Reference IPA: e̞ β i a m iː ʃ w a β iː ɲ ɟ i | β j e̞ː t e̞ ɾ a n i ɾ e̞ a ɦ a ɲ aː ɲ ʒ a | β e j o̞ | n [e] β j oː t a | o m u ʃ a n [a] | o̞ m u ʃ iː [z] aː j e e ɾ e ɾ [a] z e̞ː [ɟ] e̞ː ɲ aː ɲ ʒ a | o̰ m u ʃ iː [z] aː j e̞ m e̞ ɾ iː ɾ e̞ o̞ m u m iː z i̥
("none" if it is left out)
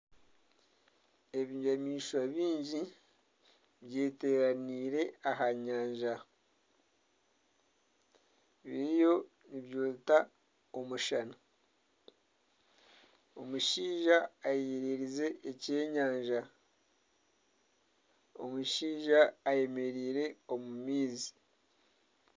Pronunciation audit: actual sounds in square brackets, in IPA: i, a, ʒ, i, c, ʒ

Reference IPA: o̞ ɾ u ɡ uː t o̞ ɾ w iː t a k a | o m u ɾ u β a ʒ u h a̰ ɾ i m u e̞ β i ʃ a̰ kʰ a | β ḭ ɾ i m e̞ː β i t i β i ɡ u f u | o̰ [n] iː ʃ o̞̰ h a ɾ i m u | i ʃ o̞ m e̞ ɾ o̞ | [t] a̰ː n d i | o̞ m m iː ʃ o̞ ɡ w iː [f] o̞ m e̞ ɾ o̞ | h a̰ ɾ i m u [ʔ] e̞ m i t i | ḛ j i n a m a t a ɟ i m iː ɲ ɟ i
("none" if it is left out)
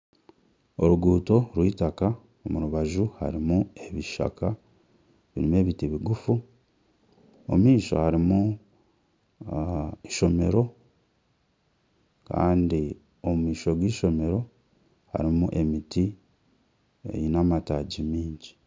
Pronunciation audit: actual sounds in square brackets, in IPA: m, k, ʃ, ʔ

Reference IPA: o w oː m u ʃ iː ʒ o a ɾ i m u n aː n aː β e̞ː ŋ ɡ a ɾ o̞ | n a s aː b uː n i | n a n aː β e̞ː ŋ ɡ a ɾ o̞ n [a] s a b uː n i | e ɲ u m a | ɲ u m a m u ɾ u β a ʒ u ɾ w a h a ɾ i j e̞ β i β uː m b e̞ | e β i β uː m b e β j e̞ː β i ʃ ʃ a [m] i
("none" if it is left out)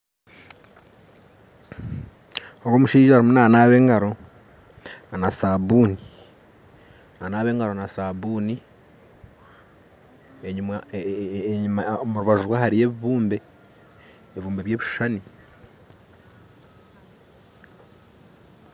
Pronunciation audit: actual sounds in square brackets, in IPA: a, n

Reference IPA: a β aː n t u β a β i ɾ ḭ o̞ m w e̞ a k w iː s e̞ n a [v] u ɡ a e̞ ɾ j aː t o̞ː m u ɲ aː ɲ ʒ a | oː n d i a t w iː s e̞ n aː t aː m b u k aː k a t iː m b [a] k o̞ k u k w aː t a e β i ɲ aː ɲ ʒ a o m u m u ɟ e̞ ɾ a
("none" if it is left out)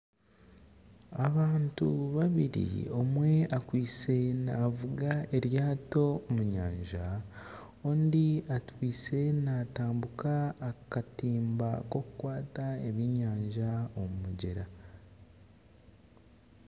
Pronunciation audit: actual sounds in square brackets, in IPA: v, a

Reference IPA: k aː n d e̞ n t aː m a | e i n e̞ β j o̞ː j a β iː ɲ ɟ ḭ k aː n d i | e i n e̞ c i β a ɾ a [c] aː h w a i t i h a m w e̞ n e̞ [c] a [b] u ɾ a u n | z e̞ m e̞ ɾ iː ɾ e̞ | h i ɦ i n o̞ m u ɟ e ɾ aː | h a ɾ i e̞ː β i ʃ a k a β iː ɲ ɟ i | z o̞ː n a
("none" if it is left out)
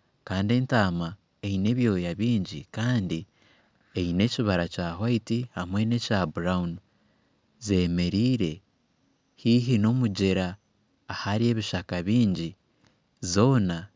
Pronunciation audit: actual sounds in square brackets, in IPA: c, c, b

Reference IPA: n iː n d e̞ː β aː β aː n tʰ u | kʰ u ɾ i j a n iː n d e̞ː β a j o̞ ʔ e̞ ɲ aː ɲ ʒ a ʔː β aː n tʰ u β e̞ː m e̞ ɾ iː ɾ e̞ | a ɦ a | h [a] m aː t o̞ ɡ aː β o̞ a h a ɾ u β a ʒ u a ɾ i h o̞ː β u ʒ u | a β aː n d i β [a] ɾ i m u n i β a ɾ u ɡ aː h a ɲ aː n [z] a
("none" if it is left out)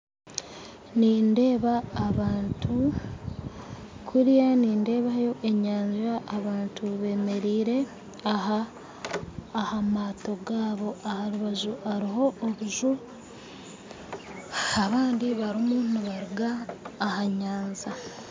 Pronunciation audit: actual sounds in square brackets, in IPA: a, a, z

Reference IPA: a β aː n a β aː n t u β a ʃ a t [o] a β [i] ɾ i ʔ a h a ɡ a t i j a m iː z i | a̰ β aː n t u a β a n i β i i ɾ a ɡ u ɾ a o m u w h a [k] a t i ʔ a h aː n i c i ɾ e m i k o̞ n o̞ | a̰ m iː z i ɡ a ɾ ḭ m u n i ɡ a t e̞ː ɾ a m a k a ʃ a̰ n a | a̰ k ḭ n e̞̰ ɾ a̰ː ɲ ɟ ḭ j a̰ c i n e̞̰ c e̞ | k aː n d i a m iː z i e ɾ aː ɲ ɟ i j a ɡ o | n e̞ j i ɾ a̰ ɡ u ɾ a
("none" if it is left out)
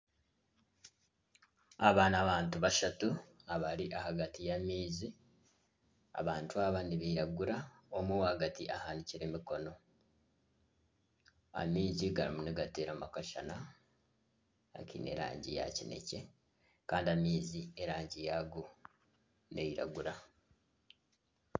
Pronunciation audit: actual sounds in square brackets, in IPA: u, a, ɡ

